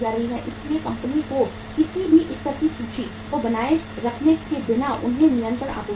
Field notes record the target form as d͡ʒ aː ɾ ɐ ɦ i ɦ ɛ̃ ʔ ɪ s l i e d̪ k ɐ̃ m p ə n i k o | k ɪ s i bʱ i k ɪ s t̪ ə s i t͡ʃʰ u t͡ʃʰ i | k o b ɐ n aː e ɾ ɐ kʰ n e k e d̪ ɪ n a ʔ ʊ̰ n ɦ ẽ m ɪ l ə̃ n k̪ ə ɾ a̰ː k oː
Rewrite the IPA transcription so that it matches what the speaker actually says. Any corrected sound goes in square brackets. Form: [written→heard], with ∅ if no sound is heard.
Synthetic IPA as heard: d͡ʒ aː ɾ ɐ ɦ i ɦ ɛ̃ ʔ ɪ s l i e [d̪→∅] k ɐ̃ m p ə n i k o | k ɪ s i bʱ i [k→ʔ] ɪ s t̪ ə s i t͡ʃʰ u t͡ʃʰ i | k o b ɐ n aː e ɾ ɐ kʰ n e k e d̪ ɪ n a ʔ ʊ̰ n ɦ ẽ m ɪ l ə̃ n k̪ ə ɾ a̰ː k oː